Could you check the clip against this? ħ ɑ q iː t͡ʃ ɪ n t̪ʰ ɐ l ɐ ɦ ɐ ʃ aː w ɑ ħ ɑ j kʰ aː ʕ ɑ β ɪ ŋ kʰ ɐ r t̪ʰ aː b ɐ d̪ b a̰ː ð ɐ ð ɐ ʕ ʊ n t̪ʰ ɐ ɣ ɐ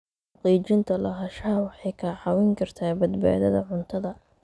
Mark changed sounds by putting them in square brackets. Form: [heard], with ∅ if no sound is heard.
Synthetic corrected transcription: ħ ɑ q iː t͡ʃ ɪ n t̪ʰ ɐ l ɐ ɦ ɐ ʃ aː w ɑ ħ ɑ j kʰ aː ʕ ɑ [w] ɪ ŋ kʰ ɐ r t̪ʰ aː b ɐ d̪ b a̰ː ð ɐ ð ɐ ʕ ʊ n t̪ʰ ɐ [ð] ɐ